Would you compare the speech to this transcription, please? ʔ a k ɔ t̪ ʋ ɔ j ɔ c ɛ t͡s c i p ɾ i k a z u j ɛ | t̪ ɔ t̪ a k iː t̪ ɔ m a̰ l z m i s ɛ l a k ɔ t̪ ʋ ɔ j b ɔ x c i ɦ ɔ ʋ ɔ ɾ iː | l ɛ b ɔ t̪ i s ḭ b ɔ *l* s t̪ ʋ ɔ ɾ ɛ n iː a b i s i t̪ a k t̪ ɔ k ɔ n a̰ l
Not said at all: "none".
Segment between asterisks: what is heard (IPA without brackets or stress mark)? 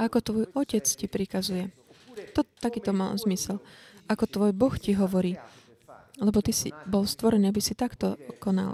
l